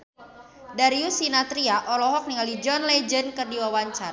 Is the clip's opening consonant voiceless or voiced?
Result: voiced